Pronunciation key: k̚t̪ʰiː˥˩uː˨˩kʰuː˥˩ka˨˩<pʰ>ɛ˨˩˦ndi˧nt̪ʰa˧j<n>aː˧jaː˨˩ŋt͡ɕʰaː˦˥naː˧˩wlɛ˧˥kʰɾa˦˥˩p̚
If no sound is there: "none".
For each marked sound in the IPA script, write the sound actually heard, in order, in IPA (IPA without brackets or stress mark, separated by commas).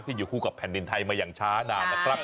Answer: pʰ, m